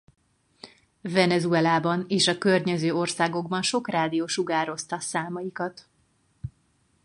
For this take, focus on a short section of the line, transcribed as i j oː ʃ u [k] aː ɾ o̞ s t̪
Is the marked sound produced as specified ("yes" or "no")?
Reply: no